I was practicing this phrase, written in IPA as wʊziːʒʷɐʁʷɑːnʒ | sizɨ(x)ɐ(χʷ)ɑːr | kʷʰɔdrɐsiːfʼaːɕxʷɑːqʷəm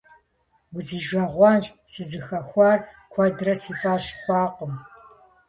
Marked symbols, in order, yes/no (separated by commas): yes, no